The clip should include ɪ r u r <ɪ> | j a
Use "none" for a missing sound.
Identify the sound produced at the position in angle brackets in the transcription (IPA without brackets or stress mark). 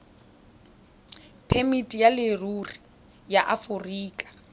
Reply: i